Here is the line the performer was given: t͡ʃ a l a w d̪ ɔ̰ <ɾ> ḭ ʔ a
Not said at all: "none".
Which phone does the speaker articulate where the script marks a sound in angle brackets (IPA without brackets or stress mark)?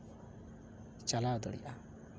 ɽ